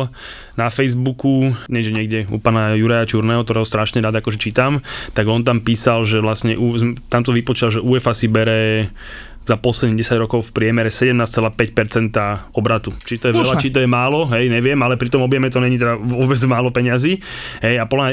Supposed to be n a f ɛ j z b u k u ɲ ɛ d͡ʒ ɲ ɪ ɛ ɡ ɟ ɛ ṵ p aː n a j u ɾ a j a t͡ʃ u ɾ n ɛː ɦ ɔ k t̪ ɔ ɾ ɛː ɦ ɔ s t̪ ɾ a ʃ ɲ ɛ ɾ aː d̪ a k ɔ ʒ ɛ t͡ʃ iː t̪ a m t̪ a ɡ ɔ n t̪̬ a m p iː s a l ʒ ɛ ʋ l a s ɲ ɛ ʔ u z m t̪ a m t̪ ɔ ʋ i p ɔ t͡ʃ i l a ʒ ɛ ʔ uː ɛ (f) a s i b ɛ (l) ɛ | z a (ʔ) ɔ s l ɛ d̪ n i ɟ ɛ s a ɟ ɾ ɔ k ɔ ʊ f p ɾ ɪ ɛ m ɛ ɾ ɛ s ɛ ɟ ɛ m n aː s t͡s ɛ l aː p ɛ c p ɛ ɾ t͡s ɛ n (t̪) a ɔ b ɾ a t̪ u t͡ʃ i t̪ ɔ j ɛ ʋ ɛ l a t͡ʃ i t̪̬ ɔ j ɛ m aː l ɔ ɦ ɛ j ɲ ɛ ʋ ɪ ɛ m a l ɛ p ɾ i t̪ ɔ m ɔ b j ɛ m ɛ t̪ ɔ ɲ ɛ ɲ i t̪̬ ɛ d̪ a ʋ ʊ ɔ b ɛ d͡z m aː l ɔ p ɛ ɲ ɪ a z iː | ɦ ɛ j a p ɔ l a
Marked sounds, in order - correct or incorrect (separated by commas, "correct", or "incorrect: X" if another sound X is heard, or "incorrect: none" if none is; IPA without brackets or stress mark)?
correct, incorrect: ɾ, incorrect: p, correct